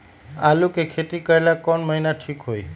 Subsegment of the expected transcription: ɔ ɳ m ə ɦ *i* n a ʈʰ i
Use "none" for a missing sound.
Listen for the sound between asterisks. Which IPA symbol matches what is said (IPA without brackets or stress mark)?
i